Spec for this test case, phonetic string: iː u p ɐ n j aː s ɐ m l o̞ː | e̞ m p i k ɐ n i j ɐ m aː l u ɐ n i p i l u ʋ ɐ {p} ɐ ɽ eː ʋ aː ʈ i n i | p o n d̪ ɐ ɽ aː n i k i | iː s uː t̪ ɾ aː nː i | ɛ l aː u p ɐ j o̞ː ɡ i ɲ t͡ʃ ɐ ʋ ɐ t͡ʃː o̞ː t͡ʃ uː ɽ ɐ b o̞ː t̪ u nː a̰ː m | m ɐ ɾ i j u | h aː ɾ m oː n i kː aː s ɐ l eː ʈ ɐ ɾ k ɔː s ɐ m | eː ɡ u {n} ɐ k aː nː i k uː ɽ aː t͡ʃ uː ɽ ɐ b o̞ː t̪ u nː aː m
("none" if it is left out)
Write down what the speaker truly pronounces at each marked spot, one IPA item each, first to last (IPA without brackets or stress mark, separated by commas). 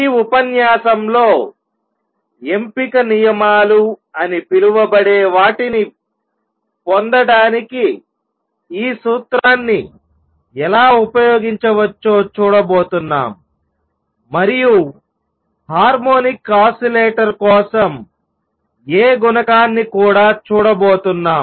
b, n